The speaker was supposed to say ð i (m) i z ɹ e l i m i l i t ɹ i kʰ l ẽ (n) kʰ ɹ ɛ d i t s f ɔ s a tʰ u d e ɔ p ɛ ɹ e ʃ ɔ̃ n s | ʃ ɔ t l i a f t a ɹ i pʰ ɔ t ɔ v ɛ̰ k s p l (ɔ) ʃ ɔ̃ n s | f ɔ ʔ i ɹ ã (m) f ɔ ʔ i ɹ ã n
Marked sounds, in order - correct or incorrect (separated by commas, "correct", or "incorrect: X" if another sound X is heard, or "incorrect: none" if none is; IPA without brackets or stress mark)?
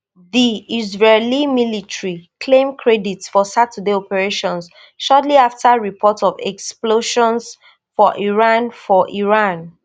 incorrect: none, incorrect: m, incorrect: o, incorrect: n